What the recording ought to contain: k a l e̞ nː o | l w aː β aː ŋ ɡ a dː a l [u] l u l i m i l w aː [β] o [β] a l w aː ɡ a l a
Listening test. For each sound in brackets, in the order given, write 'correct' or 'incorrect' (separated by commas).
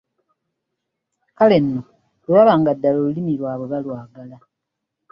incorrect, correct, correct